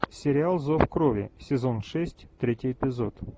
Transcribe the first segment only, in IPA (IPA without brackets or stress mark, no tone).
sʲ